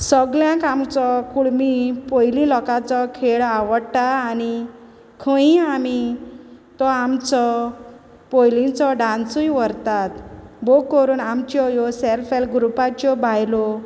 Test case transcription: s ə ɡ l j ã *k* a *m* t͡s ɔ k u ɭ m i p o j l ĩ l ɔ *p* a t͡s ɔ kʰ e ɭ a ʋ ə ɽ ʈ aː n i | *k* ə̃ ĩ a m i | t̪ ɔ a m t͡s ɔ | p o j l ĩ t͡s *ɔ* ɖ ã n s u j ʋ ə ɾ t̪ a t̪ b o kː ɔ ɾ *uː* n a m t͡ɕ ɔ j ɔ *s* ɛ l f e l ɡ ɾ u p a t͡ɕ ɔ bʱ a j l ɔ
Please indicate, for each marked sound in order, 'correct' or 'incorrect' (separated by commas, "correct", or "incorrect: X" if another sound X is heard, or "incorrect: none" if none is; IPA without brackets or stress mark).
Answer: correct, correct, incorrect: k, incorrect: kʰ, correct, correct, correct